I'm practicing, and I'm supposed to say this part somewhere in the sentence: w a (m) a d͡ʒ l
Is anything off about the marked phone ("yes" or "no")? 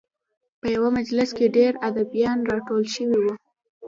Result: no